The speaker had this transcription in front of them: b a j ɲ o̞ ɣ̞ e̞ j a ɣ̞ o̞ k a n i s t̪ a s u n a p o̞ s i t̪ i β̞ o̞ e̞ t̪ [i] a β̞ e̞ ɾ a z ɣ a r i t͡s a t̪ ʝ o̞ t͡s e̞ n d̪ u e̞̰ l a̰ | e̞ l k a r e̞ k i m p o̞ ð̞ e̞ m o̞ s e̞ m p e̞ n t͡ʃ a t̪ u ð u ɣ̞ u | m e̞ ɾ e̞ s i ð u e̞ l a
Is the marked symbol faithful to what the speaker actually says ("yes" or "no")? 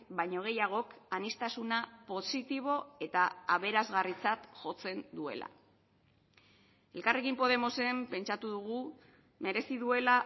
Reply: no